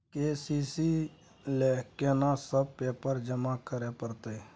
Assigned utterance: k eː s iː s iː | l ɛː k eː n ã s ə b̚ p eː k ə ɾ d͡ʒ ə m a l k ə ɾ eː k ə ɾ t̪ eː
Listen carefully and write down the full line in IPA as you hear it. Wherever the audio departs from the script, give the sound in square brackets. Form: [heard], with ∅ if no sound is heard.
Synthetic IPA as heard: k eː s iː s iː | l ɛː k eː n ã s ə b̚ p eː [p] ə ɾ d͡ʒ ə m a [∅] k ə ɾ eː [p] ə ɾ t̪ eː